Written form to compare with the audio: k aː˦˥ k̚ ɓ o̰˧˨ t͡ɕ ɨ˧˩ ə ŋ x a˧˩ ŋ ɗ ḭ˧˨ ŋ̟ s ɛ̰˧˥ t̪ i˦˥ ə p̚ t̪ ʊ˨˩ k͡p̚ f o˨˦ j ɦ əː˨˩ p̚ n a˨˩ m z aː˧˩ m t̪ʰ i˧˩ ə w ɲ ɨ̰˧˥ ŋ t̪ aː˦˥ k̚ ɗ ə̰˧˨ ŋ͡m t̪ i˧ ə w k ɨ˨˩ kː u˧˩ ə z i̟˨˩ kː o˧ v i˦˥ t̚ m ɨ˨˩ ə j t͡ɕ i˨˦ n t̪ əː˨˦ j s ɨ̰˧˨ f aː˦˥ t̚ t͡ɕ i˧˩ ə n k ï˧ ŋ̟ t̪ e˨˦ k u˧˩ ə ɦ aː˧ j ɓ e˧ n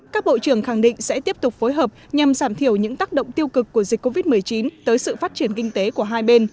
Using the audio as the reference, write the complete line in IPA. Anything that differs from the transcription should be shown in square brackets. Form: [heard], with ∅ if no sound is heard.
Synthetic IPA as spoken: k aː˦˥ k̚ ɓ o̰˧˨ t͡ɕ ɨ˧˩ ə ŋ x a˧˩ ŋ ɗ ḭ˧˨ ŋ̟ s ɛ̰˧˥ t̪ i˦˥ ə p̚ t̪ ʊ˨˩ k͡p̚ f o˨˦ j ɦ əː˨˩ p̚ [ɲ] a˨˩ m z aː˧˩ m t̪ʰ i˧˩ ə w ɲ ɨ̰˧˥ ŋ t̪ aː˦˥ k̚ ɗ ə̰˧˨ ŋ͡m t̪ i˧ ə w k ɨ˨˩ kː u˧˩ ə z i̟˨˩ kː o˧ v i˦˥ t̚ m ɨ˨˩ ə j t͡ɕ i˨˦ n t̪ əː˨˦ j s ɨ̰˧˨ f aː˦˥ t̚ t͡ɕ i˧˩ ə n k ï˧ ŋ̟ t̪ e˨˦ k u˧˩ ə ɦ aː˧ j ɓ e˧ n